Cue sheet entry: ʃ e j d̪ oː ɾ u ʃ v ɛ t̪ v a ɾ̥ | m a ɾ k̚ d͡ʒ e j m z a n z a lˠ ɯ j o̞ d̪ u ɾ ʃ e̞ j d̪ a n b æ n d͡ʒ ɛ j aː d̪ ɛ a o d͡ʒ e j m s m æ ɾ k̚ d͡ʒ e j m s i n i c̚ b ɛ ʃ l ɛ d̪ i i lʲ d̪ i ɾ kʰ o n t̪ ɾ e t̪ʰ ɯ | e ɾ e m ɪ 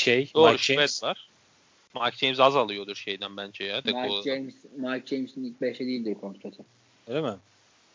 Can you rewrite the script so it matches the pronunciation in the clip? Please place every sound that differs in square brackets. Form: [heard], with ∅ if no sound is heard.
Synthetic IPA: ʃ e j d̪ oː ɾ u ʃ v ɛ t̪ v a ɾ̥ | m a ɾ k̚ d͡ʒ e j m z a [∅] z a lˠ ɯ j o̞ d̪ u ɾ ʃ e̞ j d̪ [æ] n b æ n d͡ʒ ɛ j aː d̪ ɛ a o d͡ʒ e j m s m [a] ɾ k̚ d͡ʒ e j m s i n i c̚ b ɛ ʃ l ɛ d̪ i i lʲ d̪ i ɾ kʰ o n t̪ ɾ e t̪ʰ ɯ | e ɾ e m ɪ